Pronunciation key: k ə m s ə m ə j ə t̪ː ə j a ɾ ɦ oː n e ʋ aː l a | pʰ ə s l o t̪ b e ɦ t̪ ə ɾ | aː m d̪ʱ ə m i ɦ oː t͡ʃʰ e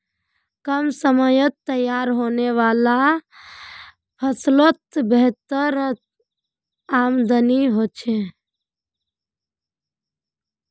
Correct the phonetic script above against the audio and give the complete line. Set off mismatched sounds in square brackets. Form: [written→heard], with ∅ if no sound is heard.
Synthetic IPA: k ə m s ə m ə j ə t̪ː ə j a ɾ ɦ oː n e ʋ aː l a | pʰ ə s l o t̪ b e ɦ t̪ ə ɾ | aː m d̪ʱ ə [m→n] i ɦ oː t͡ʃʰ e